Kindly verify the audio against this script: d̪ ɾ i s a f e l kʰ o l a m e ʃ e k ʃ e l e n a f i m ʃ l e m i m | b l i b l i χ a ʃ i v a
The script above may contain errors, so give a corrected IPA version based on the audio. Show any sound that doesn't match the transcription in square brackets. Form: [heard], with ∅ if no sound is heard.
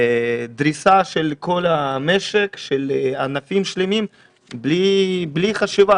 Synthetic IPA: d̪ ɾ i s a [ʃ] e l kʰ o l a m e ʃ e k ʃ e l [a] n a f i m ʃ l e m i m | b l i b l i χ a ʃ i v a